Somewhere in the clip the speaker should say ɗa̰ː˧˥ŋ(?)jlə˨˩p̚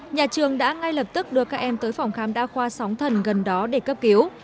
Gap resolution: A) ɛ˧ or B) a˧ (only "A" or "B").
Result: B